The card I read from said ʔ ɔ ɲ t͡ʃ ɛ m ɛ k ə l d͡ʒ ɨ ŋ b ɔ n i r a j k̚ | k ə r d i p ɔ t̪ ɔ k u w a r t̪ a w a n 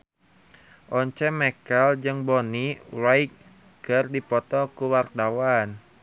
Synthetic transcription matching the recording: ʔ ɔ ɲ t͡ʃ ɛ m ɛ k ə l d͡ʒ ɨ ŋ b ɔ n i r a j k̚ | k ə r d i p ɔ t̪ ɔ k u w a r t̪ a w a n

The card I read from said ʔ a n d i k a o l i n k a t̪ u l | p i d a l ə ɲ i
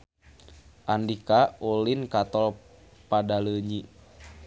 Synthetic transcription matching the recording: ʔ a n d i k a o l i n k a t̪ ɔ l | p a d a l ə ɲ i

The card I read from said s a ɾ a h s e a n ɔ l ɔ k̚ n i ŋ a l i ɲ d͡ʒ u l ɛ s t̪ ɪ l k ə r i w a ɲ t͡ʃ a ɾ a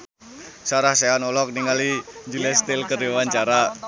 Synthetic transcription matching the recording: s a ɾ a h s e a n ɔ l ɔ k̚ n i ŋ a l i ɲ d͡ʒ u l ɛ s t̪ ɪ l k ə r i w a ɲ t͡ʃ a ɾ a

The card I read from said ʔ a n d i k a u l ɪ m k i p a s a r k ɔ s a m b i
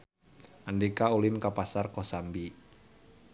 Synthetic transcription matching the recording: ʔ a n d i k a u l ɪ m k a p a s a r k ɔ s a m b i

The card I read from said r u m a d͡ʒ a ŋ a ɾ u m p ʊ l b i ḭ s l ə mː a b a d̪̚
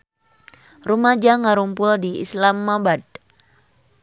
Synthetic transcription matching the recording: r u m a d͡ʒ a ŋ a ɾ u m p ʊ l d i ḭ s l a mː a b a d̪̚

